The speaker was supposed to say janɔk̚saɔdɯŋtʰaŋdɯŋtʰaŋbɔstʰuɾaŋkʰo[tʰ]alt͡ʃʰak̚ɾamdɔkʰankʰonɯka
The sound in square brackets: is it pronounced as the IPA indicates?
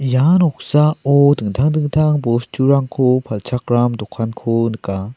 no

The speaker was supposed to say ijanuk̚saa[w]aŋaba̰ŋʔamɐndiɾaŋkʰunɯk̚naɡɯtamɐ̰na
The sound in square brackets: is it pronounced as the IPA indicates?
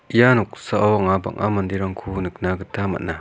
yes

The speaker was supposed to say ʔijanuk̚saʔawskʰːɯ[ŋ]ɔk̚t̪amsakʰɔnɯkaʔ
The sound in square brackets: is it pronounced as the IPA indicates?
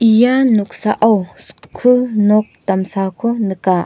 no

